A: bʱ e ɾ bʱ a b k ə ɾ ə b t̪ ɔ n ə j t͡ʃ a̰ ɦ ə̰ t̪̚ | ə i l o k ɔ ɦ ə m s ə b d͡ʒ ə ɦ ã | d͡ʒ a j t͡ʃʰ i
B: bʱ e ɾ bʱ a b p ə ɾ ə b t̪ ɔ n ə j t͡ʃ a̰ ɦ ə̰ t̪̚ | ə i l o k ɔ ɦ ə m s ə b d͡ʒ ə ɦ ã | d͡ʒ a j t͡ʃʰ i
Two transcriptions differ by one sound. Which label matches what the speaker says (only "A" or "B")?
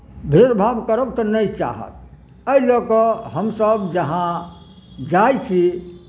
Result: A